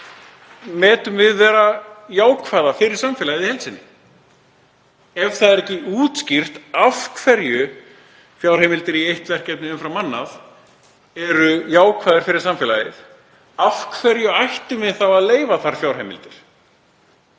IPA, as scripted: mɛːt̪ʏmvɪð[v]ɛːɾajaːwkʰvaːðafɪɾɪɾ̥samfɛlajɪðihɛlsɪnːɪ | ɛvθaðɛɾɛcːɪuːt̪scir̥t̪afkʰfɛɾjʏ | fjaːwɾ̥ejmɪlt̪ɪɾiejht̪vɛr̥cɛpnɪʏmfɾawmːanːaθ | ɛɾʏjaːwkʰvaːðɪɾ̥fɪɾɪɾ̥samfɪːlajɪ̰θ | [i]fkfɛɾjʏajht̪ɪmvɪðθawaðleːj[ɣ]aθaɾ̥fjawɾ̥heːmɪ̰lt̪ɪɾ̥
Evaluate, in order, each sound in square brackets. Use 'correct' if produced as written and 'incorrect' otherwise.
correct, incorrect, incorrect

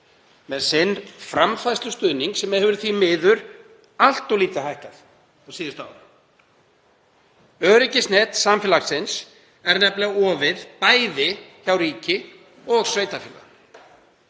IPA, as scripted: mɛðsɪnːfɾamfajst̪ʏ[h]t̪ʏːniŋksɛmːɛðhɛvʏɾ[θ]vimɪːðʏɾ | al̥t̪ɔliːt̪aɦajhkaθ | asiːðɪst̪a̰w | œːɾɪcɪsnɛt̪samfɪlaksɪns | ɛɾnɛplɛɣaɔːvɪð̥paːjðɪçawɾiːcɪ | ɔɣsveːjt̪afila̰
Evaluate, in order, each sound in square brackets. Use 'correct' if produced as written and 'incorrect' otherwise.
incorrect, correct

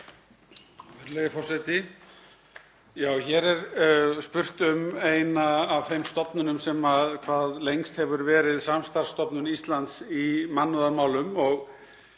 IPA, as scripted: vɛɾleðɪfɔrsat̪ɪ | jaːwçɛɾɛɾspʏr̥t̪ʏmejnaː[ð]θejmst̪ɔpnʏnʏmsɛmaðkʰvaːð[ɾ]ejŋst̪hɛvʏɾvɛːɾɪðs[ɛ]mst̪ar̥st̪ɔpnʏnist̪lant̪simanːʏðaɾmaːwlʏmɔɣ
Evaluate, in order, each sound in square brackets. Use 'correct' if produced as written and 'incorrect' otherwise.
incorrect, incorrect, incorrect

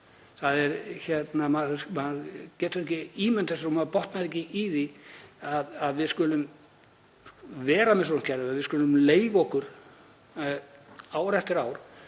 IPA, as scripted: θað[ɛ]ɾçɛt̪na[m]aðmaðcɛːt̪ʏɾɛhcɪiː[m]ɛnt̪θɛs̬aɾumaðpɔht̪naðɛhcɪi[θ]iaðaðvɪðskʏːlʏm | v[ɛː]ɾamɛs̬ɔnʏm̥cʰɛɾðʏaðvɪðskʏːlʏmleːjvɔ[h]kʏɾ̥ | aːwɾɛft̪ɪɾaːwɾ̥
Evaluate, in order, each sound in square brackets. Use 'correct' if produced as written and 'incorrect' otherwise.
correct, correct, correct, incorrect, correct, correct

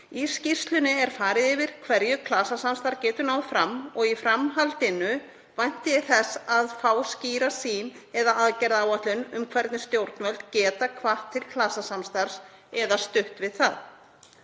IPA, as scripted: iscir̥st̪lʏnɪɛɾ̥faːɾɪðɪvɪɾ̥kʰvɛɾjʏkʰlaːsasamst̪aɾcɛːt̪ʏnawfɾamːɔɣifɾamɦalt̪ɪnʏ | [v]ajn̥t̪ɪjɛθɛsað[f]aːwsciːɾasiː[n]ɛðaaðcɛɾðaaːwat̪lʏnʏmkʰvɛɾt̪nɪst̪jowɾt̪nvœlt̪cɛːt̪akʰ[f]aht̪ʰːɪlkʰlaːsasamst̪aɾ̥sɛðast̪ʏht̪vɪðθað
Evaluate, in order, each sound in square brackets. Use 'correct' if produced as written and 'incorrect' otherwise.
correct, correct, correct, incorrect

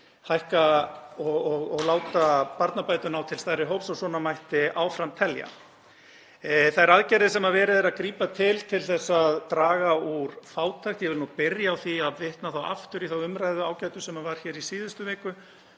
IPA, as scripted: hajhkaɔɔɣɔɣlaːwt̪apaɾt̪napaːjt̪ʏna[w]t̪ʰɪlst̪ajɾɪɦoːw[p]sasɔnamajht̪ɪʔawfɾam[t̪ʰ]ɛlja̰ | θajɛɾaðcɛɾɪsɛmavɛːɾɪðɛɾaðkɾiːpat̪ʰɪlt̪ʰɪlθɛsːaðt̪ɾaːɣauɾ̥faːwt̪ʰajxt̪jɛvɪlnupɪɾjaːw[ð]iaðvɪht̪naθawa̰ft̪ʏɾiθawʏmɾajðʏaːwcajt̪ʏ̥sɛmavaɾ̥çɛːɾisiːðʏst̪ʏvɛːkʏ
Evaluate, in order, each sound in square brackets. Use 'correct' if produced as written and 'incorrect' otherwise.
correct, correct, correct, incorrect

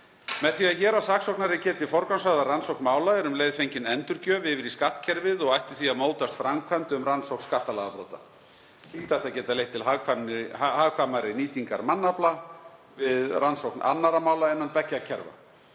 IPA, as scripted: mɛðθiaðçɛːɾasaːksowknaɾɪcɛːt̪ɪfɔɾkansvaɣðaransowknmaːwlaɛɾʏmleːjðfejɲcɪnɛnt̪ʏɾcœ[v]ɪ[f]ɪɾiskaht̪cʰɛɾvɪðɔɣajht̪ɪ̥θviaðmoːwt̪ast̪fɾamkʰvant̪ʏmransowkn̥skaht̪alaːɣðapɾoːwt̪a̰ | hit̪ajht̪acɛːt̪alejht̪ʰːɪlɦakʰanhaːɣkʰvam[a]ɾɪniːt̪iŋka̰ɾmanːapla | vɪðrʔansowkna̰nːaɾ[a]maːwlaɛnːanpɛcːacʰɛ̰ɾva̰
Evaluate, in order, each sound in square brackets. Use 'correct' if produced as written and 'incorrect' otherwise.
correct, incorrect, correct, correct

